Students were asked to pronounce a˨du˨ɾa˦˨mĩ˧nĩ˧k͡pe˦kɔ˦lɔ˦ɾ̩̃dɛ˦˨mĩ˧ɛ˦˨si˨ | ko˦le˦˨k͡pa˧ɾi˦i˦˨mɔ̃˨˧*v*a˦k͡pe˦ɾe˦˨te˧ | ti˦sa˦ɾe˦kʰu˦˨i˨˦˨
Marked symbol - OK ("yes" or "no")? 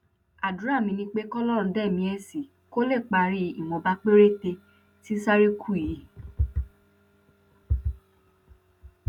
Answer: no